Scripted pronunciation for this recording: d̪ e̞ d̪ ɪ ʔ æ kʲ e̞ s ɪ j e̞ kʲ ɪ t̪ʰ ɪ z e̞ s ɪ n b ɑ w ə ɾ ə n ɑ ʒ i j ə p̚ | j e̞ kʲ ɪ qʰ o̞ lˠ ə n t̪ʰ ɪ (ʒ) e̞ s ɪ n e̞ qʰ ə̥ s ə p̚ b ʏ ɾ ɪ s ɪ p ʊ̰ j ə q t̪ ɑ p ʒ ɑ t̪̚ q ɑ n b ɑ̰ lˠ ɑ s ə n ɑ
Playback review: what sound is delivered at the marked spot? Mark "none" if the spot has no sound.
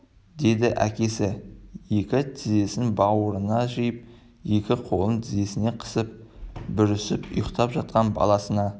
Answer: z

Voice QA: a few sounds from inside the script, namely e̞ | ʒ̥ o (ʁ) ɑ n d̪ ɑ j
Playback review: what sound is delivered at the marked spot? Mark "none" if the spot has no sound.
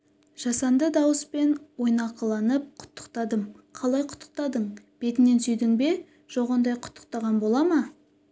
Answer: ʁ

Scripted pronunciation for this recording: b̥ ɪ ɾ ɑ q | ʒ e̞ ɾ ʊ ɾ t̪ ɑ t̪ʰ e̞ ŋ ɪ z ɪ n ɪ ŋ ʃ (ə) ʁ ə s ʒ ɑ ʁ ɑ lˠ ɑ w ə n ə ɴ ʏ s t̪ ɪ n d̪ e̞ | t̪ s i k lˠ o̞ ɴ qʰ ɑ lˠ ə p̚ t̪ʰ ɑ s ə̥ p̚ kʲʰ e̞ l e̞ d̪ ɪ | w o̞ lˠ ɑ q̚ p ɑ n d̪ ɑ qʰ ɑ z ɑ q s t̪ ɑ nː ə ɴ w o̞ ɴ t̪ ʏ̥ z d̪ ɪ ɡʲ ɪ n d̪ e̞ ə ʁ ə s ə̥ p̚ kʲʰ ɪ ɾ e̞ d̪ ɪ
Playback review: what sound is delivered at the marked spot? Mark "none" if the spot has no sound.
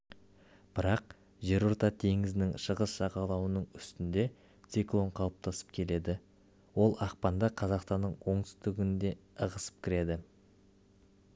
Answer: ə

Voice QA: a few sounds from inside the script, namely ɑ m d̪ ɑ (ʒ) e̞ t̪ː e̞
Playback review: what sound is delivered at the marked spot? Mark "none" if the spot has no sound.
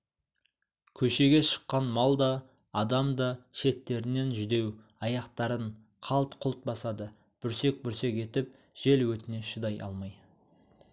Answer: ʃ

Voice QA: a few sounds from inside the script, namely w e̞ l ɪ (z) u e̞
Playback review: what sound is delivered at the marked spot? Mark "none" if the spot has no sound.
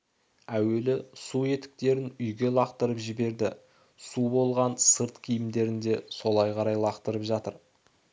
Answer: s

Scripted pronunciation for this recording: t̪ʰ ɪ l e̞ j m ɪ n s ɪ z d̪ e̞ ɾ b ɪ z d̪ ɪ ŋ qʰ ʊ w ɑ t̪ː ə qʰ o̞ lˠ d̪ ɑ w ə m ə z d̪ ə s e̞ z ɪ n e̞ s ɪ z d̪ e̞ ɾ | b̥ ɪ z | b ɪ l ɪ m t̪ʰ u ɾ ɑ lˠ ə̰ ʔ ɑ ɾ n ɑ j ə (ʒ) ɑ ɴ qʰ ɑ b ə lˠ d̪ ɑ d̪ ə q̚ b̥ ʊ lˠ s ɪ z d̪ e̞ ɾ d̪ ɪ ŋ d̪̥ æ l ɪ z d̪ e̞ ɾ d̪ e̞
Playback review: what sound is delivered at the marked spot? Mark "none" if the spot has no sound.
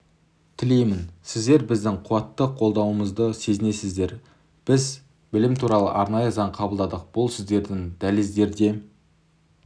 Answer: z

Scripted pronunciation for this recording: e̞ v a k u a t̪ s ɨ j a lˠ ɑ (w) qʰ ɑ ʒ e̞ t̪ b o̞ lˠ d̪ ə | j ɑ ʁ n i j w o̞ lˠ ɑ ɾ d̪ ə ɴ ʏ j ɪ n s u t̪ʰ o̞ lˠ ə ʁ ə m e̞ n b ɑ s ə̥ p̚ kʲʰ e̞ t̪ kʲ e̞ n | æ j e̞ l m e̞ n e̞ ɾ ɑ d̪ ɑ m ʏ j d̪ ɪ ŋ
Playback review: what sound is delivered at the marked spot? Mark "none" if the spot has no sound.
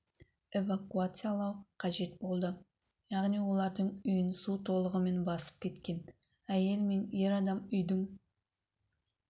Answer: w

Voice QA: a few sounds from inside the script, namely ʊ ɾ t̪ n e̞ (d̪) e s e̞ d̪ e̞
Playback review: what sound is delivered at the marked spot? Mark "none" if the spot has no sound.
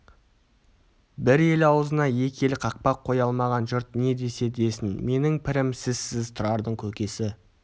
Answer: d̪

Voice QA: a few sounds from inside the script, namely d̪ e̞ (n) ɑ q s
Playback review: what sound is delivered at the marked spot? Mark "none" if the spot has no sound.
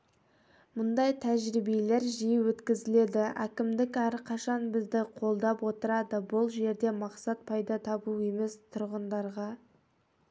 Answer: m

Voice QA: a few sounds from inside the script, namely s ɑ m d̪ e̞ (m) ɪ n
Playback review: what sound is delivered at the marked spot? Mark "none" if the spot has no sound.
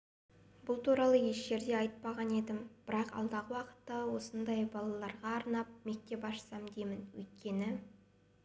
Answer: m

